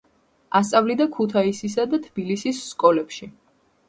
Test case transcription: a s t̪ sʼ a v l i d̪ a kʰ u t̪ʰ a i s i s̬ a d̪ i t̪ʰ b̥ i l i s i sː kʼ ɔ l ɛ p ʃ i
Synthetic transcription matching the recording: a s t̪ sʼ a v l i d̪ a kʰ u t̪ʰ a i s i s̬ a d̪ a t̪ʰ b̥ i l i s i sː kʼ ɔ l ɛ p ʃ i